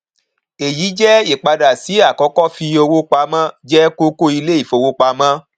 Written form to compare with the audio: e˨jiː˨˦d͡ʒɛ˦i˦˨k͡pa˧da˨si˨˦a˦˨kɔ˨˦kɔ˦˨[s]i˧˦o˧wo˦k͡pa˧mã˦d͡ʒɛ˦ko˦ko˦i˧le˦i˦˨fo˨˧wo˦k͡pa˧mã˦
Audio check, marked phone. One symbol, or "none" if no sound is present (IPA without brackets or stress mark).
f